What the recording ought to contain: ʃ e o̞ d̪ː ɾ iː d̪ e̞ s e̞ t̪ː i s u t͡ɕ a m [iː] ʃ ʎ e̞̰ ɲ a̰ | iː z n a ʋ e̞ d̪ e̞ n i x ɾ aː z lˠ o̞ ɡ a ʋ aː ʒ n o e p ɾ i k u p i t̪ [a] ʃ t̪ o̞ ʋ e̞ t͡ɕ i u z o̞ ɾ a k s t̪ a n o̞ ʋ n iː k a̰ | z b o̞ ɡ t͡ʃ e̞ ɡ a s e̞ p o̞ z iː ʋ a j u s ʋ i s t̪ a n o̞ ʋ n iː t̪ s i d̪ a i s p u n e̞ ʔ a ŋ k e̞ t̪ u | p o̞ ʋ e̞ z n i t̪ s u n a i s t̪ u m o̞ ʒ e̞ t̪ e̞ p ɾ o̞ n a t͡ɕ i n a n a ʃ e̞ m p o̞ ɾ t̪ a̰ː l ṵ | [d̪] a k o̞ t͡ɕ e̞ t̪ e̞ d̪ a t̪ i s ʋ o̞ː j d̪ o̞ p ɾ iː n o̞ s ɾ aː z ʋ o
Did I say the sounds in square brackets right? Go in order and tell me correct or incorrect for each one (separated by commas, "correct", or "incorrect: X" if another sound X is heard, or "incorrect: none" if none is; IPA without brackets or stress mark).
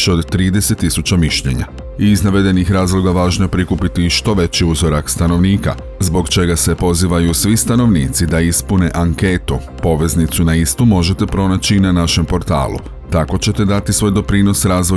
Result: incorrect: i, incorrect: i, incorrect: t̪